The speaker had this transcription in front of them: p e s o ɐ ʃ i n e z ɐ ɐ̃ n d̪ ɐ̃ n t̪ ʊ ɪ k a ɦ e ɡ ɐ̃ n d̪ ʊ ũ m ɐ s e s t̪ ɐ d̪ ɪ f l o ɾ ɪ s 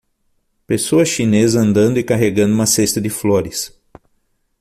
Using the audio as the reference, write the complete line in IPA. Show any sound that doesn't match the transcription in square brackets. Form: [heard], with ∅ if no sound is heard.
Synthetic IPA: p e s o ɐ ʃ i n e z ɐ ɐ̃ n d̪ ɐ̃ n [d̪] ʊ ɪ k a ɦ e ɡ ɐ̃ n d̪ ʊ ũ m ɐ s e s t̪ ɐ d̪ ɪ f l o ɾ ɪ s